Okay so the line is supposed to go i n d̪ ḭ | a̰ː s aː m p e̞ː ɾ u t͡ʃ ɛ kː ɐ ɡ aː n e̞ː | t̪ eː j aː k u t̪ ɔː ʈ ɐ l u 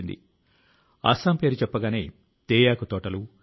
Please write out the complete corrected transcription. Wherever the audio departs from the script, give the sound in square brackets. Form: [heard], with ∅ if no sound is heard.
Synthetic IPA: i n d̪ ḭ | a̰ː s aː m p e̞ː ɾ u t͡ʃ ɛ [pː] ɐ ɡ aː n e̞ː | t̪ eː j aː k u t̪ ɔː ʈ ɐ l u